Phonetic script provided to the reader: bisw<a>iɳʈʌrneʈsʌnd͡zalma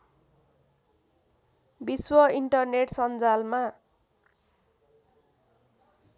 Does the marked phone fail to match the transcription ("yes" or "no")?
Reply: yes